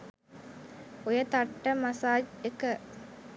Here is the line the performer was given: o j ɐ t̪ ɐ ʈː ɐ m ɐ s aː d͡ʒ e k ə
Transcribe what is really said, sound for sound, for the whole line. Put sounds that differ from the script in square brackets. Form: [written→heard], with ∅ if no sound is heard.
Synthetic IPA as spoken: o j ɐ t̪ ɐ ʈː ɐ m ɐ s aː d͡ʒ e k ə